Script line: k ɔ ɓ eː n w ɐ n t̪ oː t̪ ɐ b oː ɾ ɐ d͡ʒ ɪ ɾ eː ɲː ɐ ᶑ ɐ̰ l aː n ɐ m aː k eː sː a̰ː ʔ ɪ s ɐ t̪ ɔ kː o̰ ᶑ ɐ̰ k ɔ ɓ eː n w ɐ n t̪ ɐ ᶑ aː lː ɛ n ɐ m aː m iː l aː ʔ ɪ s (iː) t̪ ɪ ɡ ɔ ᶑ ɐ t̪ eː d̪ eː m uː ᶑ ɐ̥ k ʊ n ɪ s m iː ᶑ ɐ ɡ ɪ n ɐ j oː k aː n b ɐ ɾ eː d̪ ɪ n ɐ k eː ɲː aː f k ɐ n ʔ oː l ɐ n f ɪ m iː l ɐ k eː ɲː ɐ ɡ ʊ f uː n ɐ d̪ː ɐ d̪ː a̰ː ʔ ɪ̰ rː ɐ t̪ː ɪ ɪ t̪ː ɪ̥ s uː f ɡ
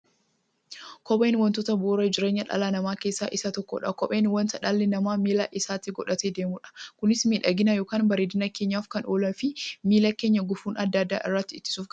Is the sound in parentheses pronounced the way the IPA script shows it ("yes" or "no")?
no